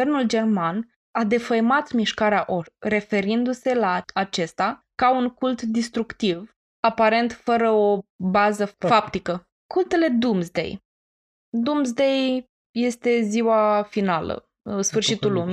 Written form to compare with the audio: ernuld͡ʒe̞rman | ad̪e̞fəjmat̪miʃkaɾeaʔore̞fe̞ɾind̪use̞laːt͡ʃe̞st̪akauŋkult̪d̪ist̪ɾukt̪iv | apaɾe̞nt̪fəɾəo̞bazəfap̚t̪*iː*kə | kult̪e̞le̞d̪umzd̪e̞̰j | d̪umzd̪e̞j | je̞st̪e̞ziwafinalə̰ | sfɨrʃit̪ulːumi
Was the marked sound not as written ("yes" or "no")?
yes